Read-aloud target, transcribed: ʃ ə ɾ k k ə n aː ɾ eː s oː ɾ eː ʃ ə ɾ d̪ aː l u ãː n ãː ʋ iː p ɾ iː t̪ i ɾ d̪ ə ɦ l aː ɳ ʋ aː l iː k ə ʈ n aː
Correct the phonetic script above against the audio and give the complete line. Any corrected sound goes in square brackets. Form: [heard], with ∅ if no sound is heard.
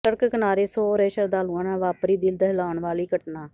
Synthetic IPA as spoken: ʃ ə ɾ k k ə n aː ɾ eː s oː ɾ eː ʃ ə ɾ d̪ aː l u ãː n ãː ʋ [aː] p ɾ iː [d̪] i [l] d̪ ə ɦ l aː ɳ ʋ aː l iː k ə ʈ n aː